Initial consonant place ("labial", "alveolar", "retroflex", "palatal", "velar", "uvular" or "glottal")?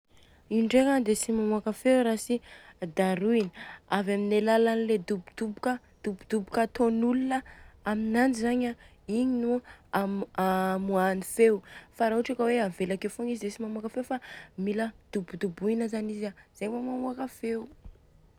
retroflex